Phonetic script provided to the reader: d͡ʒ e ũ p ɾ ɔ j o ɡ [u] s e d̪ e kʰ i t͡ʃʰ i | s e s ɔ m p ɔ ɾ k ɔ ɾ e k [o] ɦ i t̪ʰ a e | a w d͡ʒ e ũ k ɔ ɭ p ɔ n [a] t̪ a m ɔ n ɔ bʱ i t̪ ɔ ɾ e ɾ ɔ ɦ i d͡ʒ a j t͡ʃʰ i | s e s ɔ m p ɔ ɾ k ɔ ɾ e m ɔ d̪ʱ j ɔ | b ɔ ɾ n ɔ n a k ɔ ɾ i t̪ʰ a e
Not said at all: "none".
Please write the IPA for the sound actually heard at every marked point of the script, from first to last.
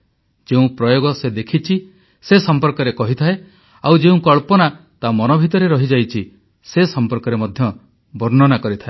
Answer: ɔ, ɔ, a

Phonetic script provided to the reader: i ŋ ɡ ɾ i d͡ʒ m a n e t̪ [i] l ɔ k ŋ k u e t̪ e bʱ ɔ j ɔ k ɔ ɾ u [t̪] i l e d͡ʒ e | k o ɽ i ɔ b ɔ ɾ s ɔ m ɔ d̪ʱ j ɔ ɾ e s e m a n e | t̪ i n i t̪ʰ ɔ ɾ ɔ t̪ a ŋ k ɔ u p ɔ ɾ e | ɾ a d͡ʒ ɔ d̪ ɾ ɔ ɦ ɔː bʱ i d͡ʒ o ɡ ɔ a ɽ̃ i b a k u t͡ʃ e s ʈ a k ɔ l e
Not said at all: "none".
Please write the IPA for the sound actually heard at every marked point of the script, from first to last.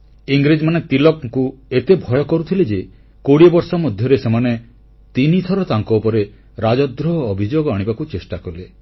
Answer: i, t̪ʰ

